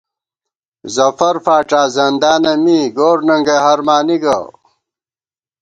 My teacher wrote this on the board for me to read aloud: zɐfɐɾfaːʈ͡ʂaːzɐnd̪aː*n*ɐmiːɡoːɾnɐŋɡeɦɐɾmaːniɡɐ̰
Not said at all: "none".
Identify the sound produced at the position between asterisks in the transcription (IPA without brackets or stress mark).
n